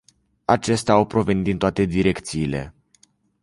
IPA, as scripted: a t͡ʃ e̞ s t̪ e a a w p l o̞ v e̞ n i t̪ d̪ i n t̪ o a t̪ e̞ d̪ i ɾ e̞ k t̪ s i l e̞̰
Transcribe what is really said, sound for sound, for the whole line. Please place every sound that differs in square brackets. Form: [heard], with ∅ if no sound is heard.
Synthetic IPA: a t͡ʃ e̞ s t̪ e a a w p [ɾ] o̞ v e̞ n i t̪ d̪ i n t̪ o a t̪ e̞ d̪ i ɾ e̞ k t̪ s [iː] l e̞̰